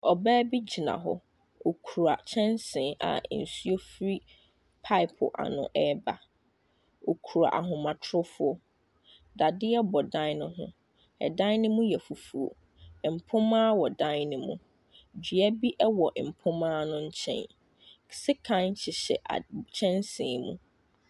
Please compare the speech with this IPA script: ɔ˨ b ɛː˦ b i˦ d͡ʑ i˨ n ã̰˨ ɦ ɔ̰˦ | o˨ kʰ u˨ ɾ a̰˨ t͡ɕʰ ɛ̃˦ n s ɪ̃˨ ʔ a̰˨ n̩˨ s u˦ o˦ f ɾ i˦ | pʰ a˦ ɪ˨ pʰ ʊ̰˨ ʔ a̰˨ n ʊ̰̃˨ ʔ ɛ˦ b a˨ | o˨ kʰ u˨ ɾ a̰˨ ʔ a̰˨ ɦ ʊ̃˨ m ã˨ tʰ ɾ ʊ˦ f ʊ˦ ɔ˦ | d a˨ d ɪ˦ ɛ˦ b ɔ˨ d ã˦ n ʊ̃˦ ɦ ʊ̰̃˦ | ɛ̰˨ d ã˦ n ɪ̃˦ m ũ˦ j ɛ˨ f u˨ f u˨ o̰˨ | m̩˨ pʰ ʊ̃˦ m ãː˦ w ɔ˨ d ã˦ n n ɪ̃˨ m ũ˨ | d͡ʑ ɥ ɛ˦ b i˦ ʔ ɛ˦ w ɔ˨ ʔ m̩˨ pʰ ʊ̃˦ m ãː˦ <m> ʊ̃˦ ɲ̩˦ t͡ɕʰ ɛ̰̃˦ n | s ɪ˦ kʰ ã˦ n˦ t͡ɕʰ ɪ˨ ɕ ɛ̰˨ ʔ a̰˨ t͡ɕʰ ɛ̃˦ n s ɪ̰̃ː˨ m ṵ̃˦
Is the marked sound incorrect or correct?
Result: incorrect